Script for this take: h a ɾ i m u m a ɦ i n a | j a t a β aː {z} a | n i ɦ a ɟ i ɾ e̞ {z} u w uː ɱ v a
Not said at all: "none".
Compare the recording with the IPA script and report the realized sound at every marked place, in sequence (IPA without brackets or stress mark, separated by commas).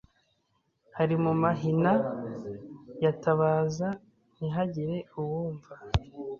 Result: z, none